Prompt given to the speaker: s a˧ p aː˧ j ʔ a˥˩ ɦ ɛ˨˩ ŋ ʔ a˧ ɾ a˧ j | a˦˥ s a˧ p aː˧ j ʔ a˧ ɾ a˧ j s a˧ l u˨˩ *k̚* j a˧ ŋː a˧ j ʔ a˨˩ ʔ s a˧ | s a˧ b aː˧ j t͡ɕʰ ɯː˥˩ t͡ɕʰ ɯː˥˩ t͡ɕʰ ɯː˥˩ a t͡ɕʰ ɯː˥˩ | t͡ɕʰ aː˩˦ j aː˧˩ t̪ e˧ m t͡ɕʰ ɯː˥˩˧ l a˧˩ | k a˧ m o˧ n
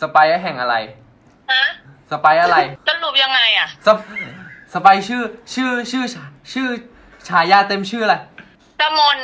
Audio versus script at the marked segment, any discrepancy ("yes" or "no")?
yes